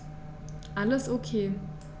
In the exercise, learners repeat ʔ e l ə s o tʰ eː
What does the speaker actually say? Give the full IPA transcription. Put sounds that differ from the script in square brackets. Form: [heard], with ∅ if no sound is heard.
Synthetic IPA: ʔ [a] l ə s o [kʰ] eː